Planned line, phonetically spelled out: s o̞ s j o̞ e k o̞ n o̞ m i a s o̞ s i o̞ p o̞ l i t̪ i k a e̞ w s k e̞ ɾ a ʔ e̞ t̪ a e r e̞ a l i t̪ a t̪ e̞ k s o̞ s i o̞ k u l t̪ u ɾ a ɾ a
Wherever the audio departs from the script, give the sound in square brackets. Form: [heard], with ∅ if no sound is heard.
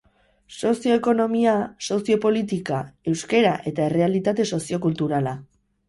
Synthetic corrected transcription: s o̞ s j o̞ e k o̞ n o̞ m i a s o̞ s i o̞ p o̞ l i t̪ i k a e̞ w s k e̞ ɾ a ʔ e̞ t̪ a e r e̞ a l i t̪ a t̪ e̞ [∅] s o̞ s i o̞ k u l t̪ u ɾ a [l] a